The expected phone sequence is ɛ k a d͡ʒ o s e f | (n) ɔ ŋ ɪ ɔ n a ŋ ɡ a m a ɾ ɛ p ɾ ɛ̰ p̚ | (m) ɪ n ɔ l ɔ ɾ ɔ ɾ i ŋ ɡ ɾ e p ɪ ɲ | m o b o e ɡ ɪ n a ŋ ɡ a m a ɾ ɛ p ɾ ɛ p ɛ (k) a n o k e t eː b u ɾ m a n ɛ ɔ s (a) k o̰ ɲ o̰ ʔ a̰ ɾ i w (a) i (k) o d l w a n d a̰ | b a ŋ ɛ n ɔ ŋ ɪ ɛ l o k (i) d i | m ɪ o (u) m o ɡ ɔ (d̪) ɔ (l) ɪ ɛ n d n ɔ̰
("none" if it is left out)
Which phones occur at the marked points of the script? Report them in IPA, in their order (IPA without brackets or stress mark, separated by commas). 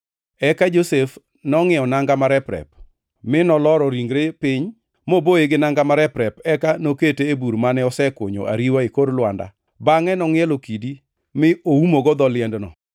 n, m, k, ɛ, a, k, i, u, d̪, l